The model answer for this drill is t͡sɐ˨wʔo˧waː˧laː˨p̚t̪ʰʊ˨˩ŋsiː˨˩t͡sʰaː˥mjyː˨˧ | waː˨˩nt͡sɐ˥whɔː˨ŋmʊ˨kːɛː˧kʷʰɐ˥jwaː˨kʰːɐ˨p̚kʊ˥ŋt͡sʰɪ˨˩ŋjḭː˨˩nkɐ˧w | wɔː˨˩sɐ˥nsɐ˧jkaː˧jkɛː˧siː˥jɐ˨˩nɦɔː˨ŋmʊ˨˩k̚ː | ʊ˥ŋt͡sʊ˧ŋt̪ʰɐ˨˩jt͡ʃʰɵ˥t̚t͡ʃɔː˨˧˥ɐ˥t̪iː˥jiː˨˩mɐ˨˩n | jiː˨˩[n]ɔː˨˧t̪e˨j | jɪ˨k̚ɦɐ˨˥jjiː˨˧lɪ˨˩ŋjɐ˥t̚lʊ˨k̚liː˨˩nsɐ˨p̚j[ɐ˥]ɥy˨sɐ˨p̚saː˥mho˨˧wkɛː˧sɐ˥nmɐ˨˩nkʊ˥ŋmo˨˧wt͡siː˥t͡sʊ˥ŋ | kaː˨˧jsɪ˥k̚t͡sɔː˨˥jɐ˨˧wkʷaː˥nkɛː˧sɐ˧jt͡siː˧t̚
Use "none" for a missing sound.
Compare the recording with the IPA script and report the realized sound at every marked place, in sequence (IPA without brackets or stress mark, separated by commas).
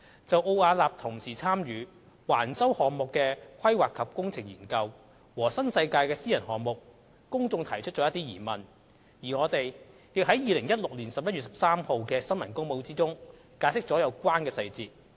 ŋ, ɐ˥